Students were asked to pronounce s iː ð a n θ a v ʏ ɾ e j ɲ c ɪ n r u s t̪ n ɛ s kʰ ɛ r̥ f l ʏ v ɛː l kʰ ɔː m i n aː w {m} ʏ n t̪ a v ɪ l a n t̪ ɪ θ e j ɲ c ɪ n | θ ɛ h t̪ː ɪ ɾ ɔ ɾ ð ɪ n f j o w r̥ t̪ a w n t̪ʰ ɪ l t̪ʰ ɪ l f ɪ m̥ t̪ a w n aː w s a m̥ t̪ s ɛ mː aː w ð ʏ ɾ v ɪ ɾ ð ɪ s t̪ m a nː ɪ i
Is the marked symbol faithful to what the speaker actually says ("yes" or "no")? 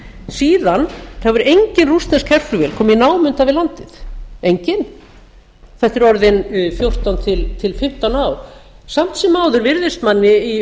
yes